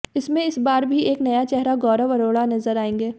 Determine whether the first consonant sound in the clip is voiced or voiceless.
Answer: voiceless